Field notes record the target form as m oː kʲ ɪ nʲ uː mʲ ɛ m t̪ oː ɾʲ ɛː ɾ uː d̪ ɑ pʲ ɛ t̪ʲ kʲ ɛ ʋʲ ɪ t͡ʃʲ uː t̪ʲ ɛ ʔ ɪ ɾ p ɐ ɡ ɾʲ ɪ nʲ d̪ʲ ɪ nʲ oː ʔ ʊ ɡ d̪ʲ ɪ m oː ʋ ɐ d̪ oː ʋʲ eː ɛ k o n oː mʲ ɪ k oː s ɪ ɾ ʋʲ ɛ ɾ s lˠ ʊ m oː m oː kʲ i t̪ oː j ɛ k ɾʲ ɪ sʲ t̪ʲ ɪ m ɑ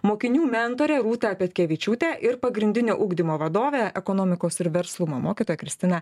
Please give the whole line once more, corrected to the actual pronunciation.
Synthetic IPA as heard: m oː kʲ ɪ nʲ uː mʲ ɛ n t̪ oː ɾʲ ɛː ɾ uː t̪ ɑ pʲ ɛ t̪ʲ kʲ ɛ ʋʲ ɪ t͡ʃʲ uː t̪ʲ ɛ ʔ ɪ ɾ p ɐ ɡ ɾʲ ɪ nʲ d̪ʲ ɪ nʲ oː ʔ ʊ ɡ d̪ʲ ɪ m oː ʋ ɐ d̪ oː ʋʲ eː ɛ k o n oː mʲ ɪ k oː s ɪ ɾ ʋʲ ɛ ɾ s lˠ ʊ m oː m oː kʲ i t̪ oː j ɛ k ɾʲ ɪ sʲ t̪ʲ ɪ n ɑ